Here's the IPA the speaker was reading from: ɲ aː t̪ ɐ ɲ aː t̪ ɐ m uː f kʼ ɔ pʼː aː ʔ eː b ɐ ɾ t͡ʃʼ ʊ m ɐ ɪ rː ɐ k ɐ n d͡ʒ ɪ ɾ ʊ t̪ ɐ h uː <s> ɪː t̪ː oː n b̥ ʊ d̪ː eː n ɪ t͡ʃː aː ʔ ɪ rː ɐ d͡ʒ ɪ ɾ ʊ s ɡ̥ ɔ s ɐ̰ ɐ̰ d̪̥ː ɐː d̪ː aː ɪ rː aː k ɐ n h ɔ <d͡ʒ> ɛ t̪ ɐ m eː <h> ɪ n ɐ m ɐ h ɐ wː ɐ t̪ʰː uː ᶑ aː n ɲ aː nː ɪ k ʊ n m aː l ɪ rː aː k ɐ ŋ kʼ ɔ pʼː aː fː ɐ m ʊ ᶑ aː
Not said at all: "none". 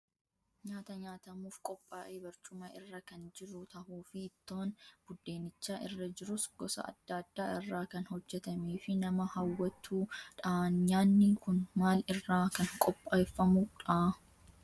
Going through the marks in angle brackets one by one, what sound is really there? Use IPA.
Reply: f, d͡ʒː, f

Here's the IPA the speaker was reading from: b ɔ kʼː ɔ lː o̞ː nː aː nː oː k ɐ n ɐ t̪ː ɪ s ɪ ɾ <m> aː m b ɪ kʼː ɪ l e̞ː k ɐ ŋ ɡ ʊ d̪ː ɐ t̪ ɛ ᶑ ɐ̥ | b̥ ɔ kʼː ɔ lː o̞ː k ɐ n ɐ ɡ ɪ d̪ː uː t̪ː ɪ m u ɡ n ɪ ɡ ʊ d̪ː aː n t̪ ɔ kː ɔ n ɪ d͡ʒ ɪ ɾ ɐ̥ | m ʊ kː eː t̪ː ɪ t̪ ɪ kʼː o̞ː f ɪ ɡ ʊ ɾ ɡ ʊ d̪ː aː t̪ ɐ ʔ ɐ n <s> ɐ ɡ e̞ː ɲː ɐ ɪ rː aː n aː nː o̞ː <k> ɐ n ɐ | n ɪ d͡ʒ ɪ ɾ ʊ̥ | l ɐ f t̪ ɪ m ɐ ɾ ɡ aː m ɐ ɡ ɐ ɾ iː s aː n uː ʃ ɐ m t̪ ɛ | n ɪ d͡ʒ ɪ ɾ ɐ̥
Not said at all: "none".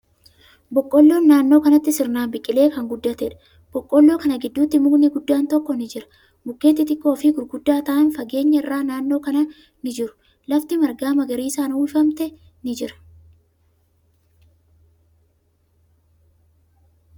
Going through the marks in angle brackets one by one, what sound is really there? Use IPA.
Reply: n, f, k

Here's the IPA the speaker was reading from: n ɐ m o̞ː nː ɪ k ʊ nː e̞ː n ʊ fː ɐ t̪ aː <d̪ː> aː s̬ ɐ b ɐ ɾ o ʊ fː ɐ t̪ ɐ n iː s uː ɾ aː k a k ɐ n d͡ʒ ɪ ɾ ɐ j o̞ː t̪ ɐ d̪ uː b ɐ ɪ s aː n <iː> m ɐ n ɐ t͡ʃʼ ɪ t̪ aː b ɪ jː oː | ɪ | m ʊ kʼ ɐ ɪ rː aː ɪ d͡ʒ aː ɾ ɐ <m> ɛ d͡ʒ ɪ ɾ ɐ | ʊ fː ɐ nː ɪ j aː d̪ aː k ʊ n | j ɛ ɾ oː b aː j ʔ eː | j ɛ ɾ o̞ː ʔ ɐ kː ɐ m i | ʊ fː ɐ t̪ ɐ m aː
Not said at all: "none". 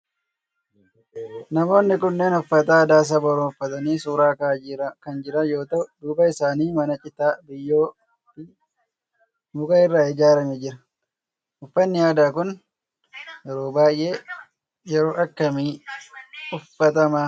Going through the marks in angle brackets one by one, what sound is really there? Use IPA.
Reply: d̪, iː, m

